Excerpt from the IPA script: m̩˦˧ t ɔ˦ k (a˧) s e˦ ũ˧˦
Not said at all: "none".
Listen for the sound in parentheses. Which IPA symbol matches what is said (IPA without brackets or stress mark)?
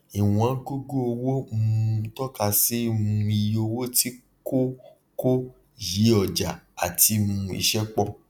a˧